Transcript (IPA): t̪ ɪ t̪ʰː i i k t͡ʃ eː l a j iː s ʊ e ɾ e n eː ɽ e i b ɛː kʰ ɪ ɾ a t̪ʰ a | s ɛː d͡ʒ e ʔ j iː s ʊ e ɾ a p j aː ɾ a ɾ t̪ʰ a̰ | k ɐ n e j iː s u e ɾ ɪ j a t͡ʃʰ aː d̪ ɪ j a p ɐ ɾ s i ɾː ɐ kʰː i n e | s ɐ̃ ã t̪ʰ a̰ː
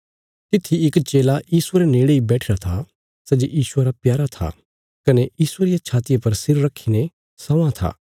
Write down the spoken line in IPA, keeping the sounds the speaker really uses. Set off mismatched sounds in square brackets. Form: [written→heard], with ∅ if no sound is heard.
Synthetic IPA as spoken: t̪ ɪ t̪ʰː i [i→ɪ] k t͡ʃ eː l a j iː s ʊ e ɾ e n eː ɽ e i b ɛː [kʰ→ʈʰ] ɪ ɾ a t̪ʰ a | s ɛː d͡ʒ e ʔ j iː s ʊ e ɾ a p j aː ɾ a [ɾ→∅] t̪ʰ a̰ | k ɐ n e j iː s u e ɾ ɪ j a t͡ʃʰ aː [d̪→t̪] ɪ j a p ɐ ɾ s [i→ɪ] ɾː ɐ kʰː i n e | s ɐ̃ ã t̪ʰ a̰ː